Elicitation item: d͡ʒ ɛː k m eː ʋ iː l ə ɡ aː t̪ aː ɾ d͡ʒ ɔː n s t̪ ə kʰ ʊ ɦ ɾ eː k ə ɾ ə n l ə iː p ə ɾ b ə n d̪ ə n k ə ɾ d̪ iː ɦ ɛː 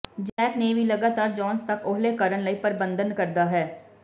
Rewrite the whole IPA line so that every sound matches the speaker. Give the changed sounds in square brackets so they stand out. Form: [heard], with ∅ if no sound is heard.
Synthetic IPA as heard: d͡ʒ ɛː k [n] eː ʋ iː l ə ɡ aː t̪ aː ɾ d͡ʒ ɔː n s t̪ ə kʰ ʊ ɦ [l] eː k ə ɾ ə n l ə iː p ə ɾ b ə n d̪ ə n k ə ɾ d̪ [aː] ɦ ɛː